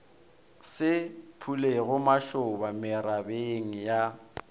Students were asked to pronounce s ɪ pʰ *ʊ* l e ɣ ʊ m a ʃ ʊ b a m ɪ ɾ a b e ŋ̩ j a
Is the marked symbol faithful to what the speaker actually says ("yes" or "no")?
no